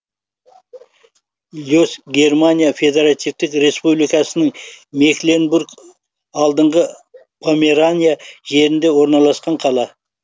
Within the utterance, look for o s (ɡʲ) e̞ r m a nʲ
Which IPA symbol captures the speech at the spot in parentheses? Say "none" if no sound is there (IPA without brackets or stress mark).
ɡʲ